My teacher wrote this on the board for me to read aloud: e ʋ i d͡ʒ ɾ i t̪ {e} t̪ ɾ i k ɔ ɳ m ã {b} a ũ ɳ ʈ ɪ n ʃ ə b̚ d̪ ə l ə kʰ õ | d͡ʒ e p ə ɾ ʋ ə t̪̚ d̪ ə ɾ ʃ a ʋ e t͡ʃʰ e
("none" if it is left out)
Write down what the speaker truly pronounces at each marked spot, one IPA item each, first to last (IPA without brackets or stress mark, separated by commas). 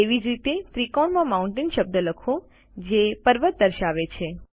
e, m